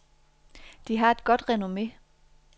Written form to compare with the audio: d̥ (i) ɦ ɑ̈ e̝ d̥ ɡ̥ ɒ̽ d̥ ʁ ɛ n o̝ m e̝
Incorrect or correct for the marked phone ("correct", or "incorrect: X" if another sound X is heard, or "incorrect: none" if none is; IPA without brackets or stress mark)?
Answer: correct